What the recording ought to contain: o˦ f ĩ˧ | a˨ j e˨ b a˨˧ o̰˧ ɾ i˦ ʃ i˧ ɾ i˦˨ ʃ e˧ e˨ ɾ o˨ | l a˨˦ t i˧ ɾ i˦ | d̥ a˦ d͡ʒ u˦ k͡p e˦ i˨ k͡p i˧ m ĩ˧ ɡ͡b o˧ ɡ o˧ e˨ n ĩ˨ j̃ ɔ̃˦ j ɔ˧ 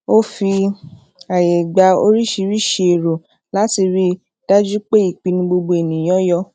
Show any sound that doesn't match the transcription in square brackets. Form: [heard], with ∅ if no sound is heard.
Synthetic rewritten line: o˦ f [i˧] | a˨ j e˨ [ɡ͡b] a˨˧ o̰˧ ɾ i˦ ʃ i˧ ɾ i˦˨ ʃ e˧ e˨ ɾ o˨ | l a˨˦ t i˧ ɾ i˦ | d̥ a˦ d͡ʒ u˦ k͡p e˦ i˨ k͡p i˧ [n] ĩ˧ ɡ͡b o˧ [ɡ͡b] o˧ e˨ n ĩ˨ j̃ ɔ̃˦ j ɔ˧